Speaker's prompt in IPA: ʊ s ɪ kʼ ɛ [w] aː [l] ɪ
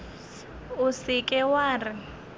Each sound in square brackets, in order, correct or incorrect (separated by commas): correct, incorrect